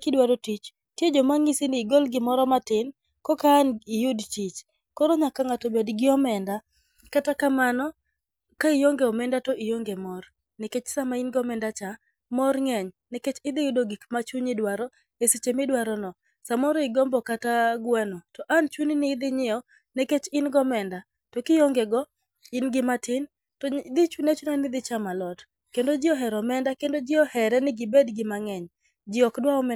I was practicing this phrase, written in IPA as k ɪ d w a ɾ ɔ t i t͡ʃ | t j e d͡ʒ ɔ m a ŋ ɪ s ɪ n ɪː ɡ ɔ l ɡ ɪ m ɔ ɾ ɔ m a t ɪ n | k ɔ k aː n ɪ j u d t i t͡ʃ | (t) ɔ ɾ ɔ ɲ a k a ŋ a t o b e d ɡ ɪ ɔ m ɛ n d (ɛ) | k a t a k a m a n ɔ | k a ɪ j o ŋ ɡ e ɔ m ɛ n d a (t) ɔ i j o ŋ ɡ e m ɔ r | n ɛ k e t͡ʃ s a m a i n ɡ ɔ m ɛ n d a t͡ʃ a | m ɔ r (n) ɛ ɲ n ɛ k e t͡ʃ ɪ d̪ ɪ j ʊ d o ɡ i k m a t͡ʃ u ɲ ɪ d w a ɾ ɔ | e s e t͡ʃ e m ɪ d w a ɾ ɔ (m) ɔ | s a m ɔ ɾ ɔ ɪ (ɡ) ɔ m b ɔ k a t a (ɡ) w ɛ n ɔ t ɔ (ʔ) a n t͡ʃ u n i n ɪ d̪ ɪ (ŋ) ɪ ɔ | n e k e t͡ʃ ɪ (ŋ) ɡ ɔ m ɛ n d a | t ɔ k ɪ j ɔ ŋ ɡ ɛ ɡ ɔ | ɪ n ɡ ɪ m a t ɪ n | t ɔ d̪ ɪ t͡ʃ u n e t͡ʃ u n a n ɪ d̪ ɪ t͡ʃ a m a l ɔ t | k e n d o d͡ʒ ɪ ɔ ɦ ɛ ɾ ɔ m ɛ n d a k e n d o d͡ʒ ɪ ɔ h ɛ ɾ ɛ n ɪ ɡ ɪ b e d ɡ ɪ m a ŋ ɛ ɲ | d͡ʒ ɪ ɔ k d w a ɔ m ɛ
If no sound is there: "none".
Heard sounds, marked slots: k, a, t, ŋ, n, ɡ, ɡ, ʔ, ɲ, n

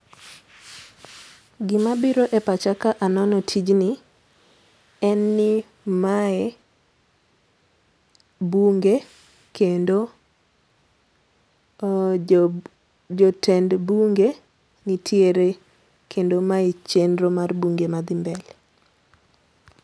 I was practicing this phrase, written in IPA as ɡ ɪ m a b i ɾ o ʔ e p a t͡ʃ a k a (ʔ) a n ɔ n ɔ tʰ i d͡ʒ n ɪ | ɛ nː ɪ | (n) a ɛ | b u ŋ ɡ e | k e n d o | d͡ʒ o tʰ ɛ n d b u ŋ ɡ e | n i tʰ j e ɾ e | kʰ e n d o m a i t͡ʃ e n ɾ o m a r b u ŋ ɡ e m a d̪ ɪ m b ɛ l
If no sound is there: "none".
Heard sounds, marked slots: ʔ, m

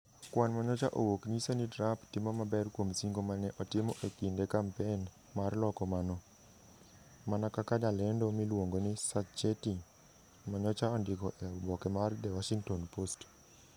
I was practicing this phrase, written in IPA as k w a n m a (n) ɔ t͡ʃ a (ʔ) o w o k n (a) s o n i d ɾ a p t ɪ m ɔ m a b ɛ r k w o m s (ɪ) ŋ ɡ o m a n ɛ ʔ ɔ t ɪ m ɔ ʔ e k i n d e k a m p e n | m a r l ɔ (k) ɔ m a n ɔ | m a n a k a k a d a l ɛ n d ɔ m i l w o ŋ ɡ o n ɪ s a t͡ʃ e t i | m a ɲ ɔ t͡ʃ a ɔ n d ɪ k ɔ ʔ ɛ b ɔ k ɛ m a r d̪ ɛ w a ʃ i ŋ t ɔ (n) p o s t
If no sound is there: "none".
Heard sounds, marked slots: ɲ, ʔ, i, i, k, n

